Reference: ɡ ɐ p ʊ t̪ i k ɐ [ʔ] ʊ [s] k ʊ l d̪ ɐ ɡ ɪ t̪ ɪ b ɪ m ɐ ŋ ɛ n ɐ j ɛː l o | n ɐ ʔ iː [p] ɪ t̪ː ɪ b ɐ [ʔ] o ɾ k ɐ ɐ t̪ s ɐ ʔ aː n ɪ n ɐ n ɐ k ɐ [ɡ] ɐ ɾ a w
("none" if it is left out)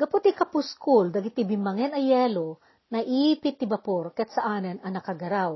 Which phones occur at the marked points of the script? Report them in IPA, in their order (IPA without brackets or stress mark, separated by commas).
p, s, p, p, ɡ